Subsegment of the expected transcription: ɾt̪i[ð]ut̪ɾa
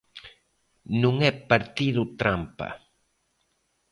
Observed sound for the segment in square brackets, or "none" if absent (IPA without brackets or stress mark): ð